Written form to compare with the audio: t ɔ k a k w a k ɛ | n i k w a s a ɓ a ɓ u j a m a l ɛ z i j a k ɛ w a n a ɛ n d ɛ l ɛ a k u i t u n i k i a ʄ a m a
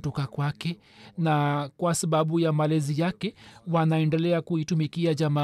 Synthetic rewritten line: t ɔ k a k w a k ɛ | n a k w a s a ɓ a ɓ u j a m a l ɛ z i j a k ɛ w a n a ɛ n d ɛ l ɛ a k u i t u m i k i a ʄ a m a